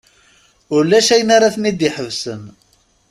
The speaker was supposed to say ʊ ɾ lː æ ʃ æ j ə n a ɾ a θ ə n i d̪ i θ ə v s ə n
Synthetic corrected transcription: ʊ ɾ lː æ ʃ æ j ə n a ɾ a θ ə n i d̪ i ħ ə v s ə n

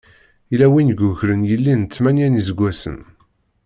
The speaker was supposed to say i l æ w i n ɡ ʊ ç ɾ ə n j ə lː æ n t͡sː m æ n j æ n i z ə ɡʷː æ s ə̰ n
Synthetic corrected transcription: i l æ w i n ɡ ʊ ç ɾ ə n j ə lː i n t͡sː m æ n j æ n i z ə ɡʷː æ s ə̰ n

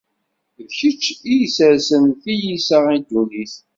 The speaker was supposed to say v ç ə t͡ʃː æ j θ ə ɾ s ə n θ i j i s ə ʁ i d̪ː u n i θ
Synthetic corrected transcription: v ç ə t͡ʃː i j s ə ɾ s ə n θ i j i s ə ʁ i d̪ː u n i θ

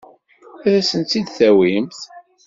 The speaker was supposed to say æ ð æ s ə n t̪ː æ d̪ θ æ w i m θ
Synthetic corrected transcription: æ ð æ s ə n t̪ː i d̪ θ æ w i m θ

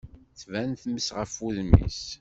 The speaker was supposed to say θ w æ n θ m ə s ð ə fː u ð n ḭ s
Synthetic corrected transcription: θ v æ n θ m ə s ʁ ə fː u ð m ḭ s

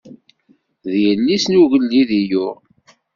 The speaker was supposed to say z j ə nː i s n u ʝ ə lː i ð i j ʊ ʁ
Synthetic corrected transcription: ð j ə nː i s n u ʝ ə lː i ð i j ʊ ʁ

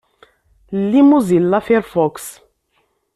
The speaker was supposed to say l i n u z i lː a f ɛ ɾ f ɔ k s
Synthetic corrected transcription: l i m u z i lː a f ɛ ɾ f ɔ k s

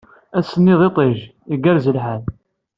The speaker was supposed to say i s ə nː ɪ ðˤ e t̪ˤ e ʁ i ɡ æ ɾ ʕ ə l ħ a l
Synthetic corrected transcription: æ s ə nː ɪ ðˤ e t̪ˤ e ʒ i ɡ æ ɾ z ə l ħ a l

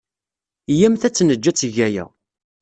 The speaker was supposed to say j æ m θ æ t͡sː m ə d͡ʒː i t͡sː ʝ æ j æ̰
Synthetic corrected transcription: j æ m θ æ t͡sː n ə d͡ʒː æ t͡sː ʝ æ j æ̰

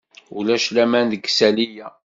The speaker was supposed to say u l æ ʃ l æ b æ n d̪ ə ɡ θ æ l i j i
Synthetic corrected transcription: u l æ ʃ l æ m æ n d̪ ə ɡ s æ l i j æ

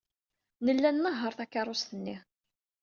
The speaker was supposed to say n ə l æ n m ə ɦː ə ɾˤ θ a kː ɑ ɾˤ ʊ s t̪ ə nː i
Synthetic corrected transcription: n ə lː æ n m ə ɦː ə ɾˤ θ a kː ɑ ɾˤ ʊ s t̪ ə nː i

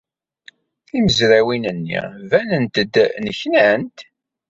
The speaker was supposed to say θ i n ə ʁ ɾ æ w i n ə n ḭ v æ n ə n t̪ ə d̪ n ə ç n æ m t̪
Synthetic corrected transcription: θ i m ə z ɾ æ w i n ə nː ḭ v æ n ə n t̪ ə d̪ n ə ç n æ n t̪

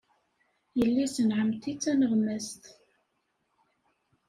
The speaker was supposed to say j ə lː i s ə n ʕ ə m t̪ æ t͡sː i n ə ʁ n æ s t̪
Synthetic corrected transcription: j ə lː i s ə n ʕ ə m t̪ i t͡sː æ n ə ʁ m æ s t̪

